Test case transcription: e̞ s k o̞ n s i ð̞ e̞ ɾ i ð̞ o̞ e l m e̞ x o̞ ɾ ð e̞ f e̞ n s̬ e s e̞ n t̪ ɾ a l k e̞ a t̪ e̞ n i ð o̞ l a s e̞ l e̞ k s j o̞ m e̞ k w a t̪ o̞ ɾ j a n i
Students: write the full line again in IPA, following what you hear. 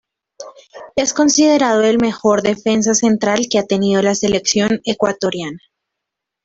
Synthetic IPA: e̞ s k o̞ n s i ð̞ e̞ ɾ a ð̞ o̞ e l m e̞ x o̞ ɾ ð e̞ f e̞ n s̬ a s e̞ n t̪ ɾ a l k e̞ a t̪ e̞ n i ð o̞ l a s e̞ l e̞ k s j o̞ n e̞ k w a t̪ o̞ ɾ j a n a